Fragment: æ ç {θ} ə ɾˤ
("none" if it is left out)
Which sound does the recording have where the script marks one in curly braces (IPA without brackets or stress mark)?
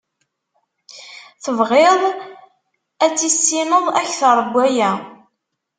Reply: θ